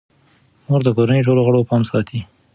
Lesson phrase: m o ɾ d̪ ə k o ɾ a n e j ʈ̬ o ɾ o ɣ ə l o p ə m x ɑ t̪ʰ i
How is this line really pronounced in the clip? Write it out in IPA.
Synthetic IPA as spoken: m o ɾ d̪ ə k o ɾ a n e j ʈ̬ o l o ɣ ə ɽ o p ɑ m s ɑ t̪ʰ i